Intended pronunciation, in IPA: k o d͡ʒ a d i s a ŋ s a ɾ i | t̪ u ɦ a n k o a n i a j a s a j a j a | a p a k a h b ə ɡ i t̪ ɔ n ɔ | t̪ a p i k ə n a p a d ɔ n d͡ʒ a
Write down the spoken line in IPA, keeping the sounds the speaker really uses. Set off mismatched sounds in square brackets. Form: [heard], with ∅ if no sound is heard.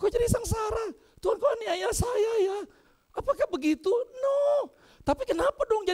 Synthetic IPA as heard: k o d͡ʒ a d i s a ŋ s a ɾ [a] | t̪ u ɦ a n k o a n i a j a s a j a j a | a p a k a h b ə ɡ i t̪ [u] n ɔ | t̪ a p i k ə n a p a d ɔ [ŋ] d͡ʒ a